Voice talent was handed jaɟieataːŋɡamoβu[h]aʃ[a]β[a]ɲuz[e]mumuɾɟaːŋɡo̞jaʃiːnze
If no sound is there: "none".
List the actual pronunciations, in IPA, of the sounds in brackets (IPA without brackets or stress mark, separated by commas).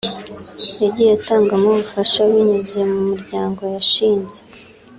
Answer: f, a, i, e